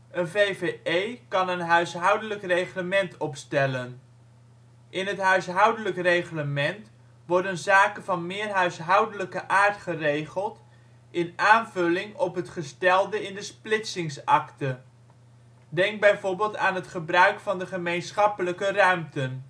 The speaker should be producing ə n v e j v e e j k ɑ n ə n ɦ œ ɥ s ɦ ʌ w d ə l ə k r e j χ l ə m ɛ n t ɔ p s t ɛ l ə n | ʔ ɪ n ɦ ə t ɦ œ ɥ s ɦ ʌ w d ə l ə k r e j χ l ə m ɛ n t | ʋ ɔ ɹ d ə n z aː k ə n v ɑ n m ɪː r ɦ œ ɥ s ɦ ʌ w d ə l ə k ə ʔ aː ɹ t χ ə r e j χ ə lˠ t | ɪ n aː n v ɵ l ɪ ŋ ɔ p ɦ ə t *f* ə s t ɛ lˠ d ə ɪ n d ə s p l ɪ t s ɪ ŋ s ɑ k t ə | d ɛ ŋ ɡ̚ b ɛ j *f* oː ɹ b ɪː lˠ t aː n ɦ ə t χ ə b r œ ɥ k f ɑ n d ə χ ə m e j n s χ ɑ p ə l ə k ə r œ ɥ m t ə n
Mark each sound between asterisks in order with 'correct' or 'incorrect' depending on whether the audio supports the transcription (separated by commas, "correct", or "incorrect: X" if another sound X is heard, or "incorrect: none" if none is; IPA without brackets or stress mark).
incorrect: χ, incorrect: v